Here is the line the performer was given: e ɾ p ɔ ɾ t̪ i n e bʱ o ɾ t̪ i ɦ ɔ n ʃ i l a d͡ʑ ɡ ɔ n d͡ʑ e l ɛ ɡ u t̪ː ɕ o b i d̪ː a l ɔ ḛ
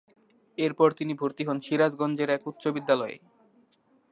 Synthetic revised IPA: e ɾ p ɔ ɾ t̪ i n i bʱ u ɾ t̪ i ɦ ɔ n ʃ i ɾ a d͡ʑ ɡ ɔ n d͡ʑ e ɾ ɛ k u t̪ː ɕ o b i d̪ː a l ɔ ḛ